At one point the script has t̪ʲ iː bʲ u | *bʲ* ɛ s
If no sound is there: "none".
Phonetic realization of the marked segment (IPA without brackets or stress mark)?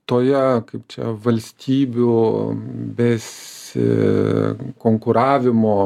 bʲ